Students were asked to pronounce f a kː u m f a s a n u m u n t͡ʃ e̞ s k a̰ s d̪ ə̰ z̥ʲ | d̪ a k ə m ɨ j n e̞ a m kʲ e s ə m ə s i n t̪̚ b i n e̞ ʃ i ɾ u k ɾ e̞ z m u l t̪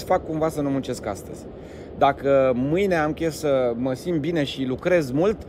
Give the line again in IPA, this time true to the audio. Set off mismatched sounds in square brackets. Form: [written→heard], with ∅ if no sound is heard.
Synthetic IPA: f a kː u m [f→v] a s [a→ə] n u m u n t͡ʃ e̞ s k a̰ s [d̪→t̪] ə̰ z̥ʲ | d̪ a k ə m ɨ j n e̞ a m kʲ e s ə m ə s i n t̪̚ b i n e̞ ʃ i [ɾ→l] u k ɾ e̞ z m u l t̪